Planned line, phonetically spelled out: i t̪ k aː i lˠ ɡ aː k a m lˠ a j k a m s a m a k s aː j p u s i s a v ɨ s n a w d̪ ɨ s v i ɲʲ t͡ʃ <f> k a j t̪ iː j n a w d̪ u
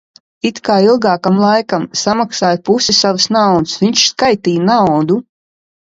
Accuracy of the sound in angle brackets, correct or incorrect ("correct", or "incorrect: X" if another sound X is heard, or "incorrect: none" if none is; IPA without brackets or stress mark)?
incorrect: s